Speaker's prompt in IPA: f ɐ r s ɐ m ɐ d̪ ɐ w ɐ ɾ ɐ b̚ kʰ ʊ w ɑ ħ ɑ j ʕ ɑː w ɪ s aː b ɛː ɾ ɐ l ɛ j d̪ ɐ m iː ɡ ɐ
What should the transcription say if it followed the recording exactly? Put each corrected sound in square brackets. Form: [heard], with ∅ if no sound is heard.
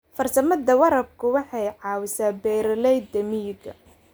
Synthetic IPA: f ɐ r s ɐ m ɐ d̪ ɐ w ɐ ɾ ɐ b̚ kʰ ʊ w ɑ ħ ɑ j ʕ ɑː w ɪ s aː b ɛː ɾ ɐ l ɛ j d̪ ɐ m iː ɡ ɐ